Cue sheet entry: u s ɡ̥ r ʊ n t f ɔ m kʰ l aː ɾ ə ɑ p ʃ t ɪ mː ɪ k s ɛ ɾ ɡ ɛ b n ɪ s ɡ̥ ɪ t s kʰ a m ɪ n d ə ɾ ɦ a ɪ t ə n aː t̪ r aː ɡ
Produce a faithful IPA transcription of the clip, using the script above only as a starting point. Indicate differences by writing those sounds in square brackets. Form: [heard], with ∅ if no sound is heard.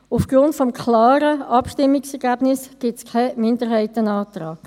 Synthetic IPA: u [f] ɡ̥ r ʊ n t f ɔ m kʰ l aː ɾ ə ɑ p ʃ t ɪ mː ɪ k s ɛ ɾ ɡ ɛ b n ɪ s ɡ̥ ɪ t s kʰ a m ɪ n d ə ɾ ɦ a ɪ t ə n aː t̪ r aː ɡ